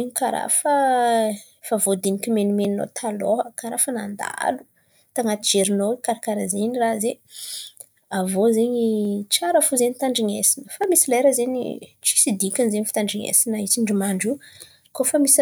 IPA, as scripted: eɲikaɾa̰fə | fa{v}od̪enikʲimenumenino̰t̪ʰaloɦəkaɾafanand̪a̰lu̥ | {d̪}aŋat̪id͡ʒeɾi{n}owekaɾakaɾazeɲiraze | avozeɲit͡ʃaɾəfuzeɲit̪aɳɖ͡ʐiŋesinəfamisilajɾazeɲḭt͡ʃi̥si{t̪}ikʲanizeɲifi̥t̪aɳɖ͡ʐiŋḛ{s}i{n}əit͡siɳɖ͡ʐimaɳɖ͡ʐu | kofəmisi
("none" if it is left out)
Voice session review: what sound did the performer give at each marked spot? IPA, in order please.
v, t̪, n, d̪, s, n

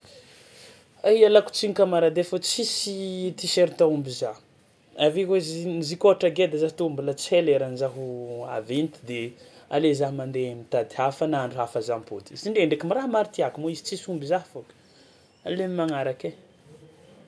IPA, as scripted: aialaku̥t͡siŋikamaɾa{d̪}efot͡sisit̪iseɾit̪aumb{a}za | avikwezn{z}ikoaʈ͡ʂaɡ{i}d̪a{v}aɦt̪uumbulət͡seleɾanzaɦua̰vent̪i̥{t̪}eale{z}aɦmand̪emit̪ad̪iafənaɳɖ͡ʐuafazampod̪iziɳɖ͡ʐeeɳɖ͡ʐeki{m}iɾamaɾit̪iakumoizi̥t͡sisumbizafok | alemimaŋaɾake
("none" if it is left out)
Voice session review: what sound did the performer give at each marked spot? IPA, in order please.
d̪, i, z, e, z, d̪, z, m

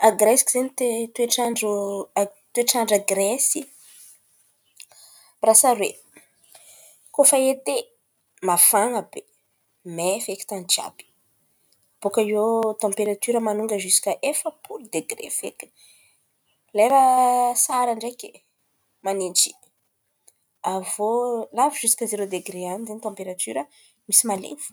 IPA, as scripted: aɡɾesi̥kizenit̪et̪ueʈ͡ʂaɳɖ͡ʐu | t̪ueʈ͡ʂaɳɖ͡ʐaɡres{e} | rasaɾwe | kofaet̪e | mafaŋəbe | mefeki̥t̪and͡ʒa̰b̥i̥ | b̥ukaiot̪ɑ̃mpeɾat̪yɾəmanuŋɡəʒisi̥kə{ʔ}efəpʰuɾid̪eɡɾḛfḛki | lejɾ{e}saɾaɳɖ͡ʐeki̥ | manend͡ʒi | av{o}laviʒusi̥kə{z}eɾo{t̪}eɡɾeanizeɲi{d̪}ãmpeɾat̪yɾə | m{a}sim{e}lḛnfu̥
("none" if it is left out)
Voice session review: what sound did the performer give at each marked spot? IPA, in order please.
i, ʔ, a, o, z, d̪, t̪, i, a

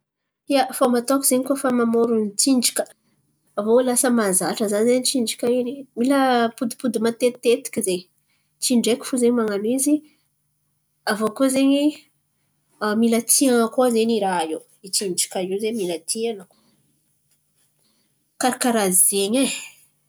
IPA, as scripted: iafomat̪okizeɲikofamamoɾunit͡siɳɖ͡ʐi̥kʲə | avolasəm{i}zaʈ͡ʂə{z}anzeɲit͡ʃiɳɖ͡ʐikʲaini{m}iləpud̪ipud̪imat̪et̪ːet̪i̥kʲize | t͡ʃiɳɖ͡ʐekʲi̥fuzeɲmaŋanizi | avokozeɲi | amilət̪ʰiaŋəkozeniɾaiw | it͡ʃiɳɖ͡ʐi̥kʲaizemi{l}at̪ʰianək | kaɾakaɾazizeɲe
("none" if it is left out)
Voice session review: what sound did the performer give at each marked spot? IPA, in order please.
a, z, m, l

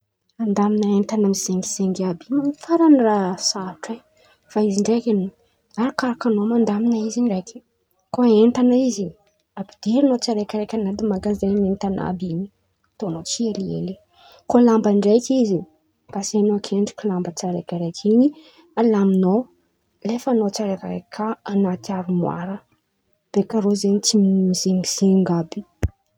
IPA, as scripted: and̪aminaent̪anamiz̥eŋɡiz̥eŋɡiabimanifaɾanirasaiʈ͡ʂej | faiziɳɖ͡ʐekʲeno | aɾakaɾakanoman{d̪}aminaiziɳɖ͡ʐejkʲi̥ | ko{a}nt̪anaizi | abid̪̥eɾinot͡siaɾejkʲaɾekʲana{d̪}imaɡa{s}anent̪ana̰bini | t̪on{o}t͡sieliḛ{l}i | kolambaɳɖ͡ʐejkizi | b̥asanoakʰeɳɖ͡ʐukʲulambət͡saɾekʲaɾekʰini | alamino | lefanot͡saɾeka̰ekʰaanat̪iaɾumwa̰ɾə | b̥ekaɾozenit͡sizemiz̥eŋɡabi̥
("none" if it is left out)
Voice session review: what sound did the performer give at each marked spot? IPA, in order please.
d̪, e, d̪, z, o, l

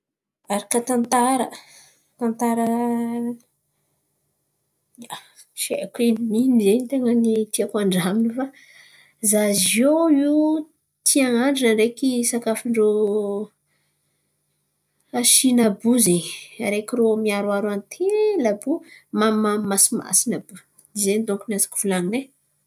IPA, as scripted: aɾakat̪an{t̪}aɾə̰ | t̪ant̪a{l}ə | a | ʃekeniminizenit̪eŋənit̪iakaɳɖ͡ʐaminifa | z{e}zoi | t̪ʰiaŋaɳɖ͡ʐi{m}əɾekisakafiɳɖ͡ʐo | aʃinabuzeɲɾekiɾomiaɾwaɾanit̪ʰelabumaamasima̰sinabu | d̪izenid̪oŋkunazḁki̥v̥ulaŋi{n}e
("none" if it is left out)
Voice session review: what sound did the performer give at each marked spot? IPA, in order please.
t̪, ɾ, a, n, n

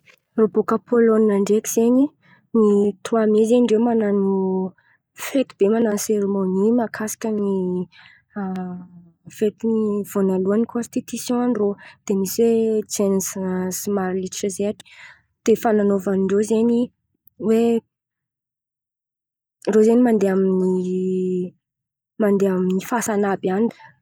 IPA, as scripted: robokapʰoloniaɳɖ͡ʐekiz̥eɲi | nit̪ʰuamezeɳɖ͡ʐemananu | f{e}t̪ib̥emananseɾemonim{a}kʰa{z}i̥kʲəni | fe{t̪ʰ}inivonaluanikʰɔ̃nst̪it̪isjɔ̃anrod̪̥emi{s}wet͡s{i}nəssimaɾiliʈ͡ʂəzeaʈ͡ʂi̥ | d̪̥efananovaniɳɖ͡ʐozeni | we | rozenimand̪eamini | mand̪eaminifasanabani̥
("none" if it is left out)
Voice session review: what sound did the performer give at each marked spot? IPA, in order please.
e, a, s, t̪, s, e

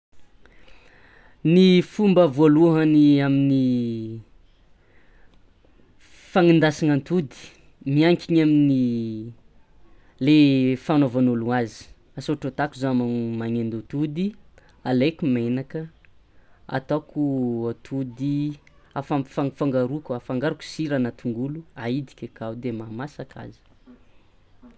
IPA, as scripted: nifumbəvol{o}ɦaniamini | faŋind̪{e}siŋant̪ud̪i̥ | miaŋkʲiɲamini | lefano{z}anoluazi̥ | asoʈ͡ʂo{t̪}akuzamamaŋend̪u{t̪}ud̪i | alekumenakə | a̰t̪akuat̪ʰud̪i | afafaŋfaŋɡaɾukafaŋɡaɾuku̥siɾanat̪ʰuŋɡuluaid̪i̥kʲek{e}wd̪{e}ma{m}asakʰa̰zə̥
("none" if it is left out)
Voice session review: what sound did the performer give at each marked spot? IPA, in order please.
u, a, v, t̪, t̪, a, e, m

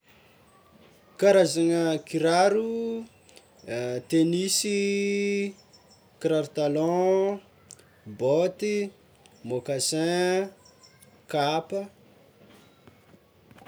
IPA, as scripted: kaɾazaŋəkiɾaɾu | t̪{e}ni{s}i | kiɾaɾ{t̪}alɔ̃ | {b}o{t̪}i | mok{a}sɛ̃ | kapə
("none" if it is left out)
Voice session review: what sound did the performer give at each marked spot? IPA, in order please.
e, s, t̪, b, t̪, a

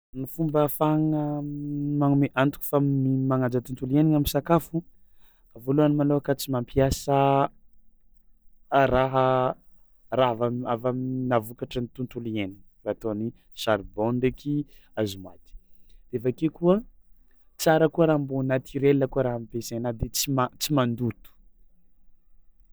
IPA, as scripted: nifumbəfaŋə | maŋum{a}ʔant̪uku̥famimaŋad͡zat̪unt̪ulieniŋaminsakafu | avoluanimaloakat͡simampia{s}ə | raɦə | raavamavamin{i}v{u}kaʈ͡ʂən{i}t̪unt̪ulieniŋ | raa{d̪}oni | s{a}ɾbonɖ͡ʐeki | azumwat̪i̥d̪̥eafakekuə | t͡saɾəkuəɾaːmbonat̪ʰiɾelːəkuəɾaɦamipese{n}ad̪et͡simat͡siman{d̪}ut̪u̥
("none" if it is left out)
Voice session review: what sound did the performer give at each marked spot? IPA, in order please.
e, s, a, u, i, t̪, a, n, d̪

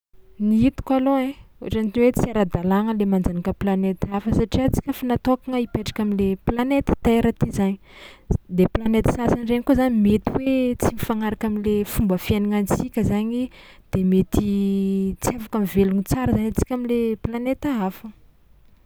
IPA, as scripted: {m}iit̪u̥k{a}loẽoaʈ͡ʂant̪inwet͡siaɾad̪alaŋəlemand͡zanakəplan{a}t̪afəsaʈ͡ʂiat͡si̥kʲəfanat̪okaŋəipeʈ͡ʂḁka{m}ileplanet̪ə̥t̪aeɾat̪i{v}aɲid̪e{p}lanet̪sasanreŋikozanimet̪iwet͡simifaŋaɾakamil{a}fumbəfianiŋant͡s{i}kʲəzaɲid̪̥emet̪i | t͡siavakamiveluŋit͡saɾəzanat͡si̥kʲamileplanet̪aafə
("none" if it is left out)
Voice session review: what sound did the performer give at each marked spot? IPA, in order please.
n, a, e, m, z, p, e, i

